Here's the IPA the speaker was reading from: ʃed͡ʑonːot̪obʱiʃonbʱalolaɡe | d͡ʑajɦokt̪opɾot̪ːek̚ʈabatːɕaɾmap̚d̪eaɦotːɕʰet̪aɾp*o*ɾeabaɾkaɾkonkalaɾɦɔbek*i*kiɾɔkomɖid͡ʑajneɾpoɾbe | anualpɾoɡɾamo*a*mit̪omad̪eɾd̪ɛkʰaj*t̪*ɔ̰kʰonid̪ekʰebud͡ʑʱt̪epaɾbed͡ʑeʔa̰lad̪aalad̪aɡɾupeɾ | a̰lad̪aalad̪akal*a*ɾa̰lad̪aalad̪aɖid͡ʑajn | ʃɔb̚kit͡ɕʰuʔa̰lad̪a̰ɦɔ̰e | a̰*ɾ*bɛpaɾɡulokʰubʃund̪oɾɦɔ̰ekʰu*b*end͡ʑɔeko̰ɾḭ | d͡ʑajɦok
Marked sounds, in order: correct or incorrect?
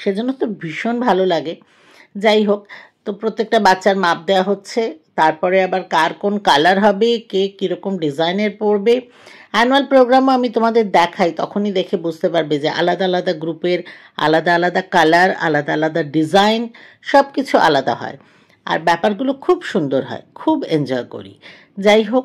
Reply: incorrect, incorrect, correct, correct, correct, correct, correct

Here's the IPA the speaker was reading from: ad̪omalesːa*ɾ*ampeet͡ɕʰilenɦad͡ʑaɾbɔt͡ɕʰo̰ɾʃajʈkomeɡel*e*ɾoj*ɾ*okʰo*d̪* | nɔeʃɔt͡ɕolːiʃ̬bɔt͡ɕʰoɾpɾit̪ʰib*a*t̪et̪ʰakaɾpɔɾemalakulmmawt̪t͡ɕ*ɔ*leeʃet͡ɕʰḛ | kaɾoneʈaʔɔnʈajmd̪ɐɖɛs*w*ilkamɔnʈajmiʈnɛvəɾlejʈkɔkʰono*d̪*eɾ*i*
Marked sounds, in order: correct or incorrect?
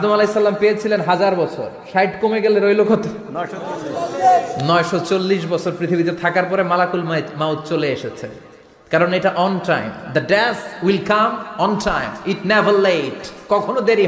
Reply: incorrect, correct, incorrect, incorrect, incorrect, incorrect, correct, correct, correct

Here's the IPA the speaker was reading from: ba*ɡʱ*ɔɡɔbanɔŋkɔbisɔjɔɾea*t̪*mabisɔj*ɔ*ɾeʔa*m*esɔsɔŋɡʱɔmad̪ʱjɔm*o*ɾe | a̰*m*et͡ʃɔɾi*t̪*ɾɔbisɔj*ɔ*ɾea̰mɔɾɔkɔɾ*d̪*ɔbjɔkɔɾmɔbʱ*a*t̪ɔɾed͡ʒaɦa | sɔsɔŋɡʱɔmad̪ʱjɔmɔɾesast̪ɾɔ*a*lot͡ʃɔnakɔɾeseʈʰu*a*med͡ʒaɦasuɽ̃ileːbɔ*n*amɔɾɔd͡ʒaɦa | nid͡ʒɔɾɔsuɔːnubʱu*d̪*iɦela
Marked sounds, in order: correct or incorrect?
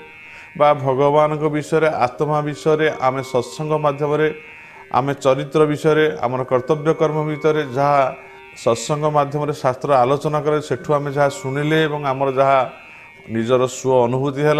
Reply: incorrect, correct, correct, correct, incorrect, correct, correct, correct, incorrect, incorrect, correct, correct, incorrect, incorrect

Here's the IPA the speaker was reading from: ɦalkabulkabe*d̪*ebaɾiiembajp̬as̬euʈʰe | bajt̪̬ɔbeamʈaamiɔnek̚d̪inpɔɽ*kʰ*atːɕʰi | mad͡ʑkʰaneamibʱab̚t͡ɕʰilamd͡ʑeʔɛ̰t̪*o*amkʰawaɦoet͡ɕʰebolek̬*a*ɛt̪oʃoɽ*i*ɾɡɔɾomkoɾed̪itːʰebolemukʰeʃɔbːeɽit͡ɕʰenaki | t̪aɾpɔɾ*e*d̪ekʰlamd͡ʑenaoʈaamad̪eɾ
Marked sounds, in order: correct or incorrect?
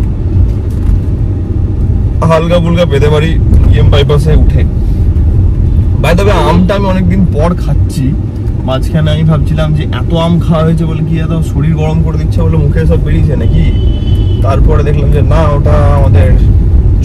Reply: correct, correct, correct, incorrect, correct, correct

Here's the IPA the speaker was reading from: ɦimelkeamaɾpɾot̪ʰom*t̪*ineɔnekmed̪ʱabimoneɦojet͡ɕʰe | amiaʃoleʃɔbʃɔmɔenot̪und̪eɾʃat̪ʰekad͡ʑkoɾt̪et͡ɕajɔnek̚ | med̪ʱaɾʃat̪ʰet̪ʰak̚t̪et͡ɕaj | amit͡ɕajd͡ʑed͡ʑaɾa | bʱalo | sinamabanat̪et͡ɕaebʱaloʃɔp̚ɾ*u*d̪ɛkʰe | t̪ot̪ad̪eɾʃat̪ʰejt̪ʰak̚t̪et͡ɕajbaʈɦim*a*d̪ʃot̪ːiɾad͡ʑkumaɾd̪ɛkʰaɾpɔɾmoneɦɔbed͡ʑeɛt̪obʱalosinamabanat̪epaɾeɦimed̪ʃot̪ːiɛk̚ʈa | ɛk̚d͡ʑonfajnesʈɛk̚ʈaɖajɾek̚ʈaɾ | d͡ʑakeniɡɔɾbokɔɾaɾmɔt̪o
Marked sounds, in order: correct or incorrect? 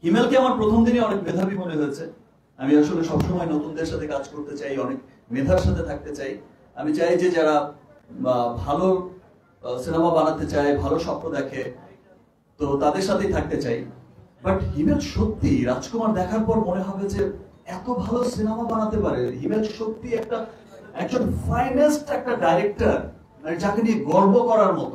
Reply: incorrect, incorrect, incorrect

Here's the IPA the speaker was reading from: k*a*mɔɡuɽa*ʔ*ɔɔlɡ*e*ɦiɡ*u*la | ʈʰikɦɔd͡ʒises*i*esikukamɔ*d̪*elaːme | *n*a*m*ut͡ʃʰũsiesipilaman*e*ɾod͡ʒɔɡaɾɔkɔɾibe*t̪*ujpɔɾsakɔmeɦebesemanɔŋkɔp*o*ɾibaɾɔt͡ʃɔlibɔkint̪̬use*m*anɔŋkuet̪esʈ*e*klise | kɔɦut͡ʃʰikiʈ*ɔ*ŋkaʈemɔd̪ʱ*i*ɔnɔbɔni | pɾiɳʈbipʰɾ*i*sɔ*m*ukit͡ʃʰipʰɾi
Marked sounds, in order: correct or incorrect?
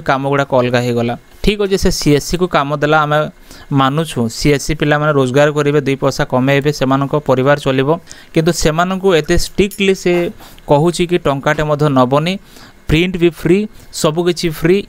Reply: correct, incorrect, incorrect, incorrect, correct, correct, incorrect, incorrect, correct, incorrect, incorrect, correct, incorrect, correct, incorrect, correct, incorrect

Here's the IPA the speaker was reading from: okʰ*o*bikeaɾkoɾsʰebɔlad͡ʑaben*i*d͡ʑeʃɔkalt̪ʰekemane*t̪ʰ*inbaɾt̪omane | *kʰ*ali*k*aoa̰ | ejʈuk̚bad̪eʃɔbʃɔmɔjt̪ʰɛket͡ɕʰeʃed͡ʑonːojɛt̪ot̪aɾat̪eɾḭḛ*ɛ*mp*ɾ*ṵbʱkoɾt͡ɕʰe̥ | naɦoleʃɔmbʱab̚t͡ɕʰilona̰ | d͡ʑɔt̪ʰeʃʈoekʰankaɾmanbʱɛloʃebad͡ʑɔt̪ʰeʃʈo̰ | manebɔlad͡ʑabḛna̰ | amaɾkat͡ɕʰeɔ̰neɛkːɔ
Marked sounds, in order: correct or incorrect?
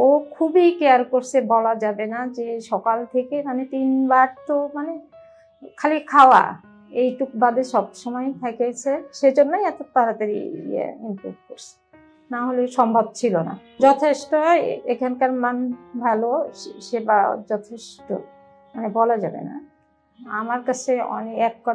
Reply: incorrect, incorrect, incorrect, correct, incorrect, incorrect, correct

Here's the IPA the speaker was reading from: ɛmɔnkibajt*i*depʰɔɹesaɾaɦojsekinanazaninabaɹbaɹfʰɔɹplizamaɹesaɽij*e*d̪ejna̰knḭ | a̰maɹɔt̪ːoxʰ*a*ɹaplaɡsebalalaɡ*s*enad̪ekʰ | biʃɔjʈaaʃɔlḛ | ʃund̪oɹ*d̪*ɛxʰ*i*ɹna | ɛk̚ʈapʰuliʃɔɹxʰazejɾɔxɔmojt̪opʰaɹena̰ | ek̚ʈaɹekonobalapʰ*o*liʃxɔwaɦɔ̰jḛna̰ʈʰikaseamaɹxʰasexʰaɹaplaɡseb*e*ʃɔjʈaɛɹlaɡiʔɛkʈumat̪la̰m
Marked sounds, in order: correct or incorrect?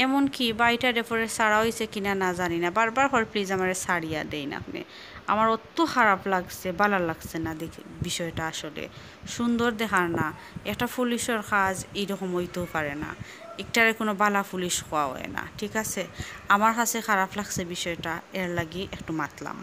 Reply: incorrect, incorrect, correct, correct, correct, incorrect, incorrect, incorrect

